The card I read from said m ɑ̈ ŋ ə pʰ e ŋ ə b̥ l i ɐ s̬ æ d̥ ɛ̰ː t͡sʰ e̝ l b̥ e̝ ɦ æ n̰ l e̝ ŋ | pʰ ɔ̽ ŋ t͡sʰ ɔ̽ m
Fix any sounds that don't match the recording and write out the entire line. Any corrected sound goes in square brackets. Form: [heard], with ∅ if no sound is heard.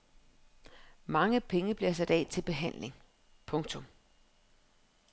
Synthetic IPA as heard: m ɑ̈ ŋ ə pʰ e ŋ ə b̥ l i ɐ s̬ æ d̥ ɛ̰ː t͡sʰ e̝ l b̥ e̝ ɦ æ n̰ l e̝ ŋ | pʰ ɔ̽ ŋ t͡sʰ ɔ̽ m